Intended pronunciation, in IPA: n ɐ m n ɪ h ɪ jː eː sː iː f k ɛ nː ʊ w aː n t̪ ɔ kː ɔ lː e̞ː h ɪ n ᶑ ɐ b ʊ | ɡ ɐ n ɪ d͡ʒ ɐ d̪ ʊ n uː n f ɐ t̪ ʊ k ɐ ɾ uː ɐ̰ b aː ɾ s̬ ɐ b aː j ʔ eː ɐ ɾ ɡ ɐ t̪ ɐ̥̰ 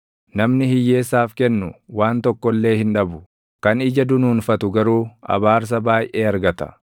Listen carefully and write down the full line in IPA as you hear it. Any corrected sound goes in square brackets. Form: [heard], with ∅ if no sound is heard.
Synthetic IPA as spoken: n ɐ m n ɪ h ɪ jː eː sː [aː] f k ɛ nː ʊ w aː n t̪ ɔ kː ɔ lː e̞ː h ɪ n ᶑ ɐ b ʊ | [k] ɐ n ɪ d͡ʒ ɐ d̪ ʊ n uː n f ɐ t̪ ʊ [ɡ] ɐ ɾ uː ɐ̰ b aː ɾ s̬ ɐ b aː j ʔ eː ɐ ɾ ɡ ɐ t̪ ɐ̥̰

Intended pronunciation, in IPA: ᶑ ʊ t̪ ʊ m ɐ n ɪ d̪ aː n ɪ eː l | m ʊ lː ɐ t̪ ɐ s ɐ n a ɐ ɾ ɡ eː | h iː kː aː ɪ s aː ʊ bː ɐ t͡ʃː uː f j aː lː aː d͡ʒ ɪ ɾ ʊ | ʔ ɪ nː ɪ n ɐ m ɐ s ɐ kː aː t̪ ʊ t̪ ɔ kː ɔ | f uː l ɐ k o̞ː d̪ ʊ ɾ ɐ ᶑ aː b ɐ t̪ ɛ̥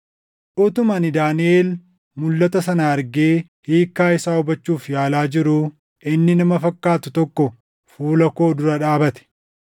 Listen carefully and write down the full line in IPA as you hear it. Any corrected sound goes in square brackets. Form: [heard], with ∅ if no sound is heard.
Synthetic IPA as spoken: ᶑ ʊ t̪ ʊ m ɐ n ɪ d̪ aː n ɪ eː l | m ʊ lː ɐ t̪ ɐ s ɐ n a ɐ ɾ ɡ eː | h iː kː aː ɪ s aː ʊ [b] ɐ t͡ʃː uː f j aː [l] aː d͡ʒ ɪ ɾ ʊ | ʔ ɪ nː ɪ n ɐ m ɐ [f] ɐ kː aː t̪ ʊ t̪ ɔ kː ɔ | f uː l ɐ k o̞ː d̪ ʊ ɾ ɐ ᶑ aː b ɐ t̪ ɛ̥

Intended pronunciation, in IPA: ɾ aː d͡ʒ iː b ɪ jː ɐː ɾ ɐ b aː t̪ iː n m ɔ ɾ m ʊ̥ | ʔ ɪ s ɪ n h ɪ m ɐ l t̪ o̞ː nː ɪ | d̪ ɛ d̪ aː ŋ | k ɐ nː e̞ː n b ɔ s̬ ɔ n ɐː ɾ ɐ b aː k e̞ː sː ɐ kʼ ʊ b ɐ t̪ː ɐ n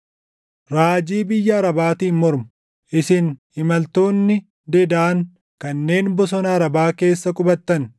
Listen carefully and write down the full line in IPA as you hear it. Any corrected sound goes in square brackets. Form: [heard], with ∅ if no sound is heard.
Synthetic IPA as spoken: ɾ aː d͡ʒ iː b ɪ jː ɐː ɾ ɐ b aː t̪ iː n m ɔ ɾ m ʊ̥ | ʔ ɪ s ɪ n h ɪ m ɐ l t̪ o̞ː nː ɪ | d̪ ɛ d̪ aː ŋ | k ɐ nː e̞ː n b ɔ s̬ ɔ n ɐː ɾ ɐ b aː k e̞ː sː ɐ kʼ ʊ b ɐ t̪ː ɐ n

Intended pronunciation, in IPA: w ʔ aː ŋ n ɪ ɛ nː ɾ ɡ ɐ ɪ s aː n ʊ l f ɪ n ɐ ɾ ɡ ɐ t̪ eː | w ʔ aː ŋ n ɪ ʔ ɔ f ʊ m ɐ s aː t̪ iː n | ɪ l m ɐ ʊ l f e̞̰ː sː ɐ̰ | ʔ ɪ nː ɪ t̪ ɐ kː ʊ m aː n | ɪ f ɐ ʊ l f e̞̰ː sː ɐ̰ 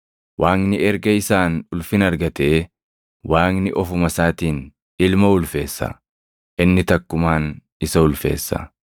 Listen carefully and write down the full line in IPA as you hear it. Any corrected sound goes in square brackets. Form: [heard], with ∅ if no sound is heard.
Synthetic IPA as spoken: w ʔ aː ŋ n ɪ ɛ [∅] ɾ ɡ ɐ ɪ s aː n ʊ l f ɪ n ɐ ɾ ɡ ɐ t̪ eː | w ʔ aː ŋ n ɪ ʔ ɔ f ʊ m ɐ s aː t̪ iː n | ɪ l m ɐ ʊ l f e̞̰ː sː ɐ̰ | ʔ ɪ nː ɪ t̪ ɐ kː ʊ m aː n | ɪ [s] ɐ ʊ l f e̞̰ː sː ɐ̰

